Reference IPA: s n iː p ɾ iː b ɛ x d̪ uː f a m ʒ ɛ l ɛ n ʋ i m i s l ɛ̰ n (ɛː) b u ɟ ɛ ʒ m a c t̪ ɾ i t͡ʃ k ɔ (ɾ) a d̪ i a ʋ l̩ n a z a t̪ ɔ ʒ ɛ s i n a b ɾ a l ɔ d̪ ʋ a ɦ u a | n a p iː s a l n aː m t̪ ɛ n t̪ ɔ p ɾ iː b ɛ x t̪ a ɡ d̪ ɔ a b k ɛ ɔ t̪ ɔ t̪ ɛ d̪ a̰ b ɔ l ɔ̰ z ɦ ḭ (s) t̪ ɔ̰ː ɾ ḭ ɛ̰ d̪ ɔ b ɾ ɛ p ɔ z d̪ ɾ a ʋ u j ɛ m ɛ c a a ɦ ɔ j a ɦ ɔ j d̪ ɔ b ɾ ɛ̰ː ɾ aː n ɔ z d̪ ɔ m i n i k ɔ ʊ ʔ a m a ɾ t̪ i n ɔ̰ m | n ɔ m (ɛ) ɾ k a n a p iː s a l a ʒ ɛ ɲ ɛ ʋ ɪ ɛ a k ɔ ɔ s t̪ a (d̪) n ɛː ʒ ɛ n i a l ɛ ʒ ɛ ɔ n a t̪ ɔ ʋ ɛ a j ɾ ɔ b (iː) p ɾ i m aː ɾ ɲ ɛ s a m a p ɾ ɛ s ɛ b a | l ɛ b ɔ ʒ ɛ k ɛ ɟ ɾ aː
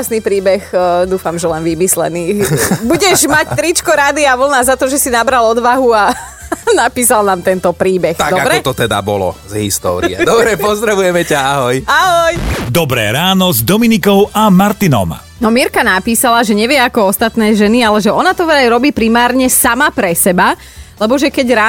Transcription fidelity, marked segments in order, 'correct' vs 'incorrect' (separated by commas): incorrect, correct, correct, incorrect, incorrect, correct